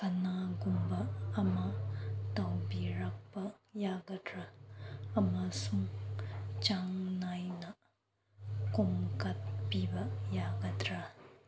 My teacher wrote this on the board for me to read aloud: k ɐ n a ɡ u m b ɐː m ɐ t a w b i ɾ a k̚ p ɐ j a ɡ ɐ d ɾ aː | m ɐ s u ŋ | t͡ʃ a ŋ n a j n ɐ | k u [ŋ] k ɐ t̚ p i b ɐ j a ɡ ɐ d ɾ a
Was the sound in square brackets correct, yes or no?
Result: no